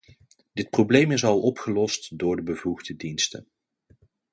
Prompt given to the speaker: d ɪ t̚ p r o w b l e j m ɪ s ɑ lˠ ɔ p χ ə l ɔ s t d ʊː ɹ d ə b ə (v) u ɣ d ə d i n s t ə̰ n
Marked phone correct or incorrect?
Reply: correct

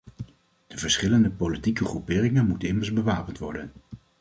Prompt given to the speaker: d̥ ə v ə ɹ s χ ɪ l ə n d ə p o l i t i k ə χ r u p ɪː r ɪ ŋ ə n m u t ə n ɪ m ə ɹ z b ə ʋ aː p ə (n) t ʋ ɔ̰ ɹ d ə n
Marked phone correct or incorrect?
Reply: correct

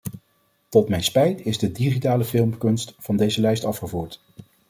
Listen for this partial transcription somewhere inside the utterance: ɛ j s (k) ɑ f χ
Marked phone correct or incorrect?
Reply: incorrect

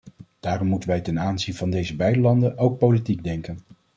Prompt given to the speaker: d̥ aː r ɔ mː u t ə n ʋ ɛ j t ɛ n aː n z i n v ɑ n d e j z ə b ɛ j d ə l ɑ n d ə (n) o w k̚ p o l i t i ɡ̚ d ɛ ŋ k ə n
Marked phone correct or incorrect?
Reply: correct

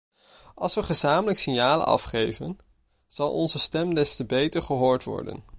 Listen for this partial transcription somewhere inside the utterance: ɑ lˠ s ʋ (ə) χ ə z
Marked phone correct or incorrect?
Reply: correct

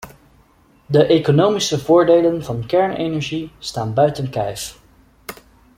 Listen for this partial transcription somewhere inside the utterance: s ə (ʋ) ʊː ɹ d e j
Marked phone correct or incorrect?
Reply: incorrect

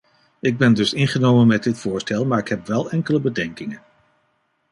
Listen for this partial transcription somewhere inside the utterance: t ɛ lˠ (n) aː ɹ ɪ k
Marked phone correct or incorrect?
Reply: incorrect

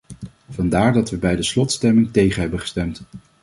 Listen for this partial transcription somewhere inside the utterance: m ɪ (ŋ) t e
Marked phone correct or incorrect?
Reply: correct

